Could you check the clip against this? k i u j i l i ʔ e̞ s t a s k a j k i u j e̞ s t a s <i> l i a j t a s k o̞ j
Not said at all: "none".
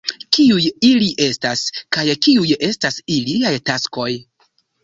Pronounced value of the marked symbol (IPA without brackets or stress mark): i